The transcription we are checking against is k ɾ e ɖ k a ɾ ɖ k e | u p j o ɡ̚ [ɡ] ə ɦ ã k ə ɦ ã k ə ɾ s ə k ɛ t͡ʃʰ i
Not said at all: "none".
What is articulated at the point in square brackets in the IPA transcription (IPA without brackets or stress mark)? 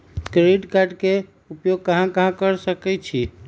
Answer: k